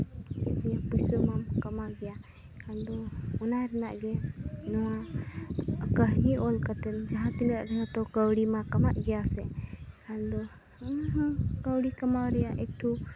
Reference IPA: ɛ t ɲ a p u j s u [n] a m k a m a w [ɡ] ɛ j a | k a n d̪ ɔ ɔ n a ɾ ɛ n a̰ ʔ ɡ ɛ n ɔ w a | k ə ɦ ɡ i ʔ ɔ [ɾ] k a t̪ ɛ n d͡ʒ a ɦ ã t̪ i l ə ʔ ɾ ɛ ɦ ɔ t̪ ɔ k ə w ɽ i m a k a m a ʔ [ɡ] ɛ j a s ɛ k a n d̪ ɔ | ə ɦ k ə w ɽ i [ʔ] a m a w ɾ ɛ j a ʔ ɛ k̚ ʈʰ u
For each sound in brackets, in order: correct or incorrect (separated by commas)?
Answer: incorrect, correct, incorrect, correct, incorrect